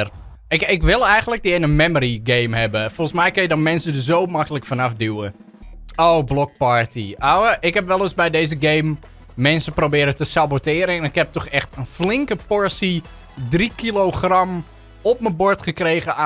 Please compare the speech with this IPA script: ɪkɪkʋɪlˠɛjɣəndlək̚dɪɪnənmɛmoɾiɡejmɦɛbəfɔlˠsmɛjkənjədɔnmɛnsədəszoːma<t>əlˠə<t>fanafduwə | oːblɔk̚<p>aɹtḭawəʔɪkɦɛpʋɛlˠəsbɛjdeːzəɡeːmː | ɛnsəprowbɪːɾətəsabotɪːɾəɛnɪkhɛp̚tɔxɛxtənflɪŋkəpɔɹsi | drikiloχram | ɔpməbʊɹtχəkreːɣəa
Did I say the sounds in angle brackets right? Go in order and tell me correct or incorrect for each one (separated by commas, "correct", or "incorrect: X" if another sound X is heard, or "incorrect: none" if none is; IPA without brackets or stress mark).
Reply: incorrect: k, incorrect: k, correct